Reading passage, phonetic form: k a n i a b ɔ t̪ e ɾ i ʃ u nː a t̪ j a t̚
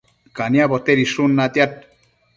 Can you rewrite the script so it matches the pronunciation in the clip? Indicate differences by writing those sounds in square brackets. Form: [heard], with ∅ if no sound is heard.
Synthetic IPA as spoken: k a n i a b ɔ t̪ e ɾ i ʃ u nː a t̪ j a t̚